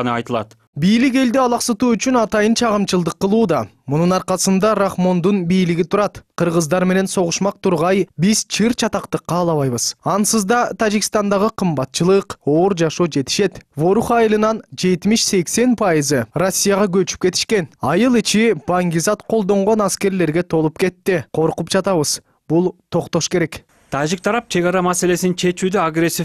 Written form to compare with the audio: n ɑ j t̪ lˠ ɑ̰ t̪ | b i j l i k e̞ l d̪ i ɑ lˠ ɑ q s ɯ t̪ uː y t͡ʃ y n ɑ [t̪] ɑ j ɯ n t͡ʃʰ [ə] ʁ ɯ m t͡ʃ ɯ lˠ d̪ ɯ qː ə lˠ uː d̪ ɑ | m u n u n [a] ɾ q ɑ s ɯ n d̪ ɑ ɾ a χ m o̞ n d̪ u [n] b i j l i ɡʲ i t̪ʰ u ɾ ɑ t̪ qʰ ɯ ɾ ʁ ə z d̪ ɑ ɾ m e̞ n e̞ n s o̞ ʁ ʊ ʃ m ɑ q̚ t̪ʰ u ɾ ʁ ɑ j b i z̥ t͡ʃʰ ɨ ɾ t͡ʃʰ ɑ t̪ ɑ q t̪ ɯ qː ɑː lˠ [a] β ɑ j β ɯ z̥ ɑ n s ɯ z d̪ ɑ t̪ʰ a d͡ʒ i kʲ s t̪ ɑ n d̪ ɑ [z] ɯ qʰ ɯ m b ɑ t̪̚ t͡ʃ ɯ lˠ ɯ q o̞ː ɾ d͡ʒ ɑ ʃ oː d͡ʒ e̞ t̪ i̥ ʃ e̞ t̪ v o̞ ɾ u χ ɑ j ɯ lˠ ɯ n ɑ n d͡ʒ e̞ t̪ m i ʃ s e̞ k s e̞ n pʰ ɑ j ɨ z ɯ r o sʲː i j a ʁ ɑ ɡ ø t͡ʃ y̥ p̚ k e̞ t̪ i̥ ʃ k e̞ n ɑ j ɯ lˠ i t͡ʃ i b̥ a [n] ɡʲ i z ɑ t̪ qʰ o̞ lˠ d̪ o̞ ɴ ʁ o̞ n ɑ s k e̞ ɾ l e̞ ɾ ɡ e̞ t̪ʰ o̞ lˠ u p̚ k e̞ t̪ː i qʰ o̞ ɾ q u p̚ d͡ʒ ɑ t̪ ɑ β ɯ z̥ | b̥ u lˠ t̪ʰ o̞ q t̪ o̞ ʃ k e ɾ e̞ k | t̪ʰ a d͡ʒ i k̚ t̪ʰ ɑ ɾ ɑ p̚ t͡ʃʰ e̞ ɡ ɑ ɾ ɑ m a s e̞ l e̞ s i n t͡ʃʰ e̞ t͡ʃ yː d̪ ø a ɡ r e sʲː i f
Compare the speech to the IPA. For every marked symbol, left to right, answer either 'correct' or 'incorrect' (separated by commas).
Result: correct, incorrect, incorrect, correct, incorrect, incorrect, incorrect